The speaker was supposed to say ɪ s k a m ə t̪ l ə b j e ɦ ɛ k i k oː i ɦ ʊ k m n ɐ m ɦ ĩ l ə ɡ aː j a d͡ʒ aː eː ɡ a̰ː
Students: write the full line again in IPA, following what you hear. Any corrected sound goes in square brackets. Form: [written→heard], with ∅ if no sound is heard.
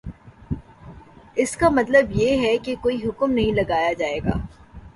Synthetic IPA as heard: ɪ s k a m [ə→ɐ] t̪ l ə b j e ɦ ɛ k [i→e] k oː i ɦ ʊ k m n ɐ [m→∅] ɦ ĩ l [ə→ɐ] ɡ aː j a d͡ʒ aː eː ɡ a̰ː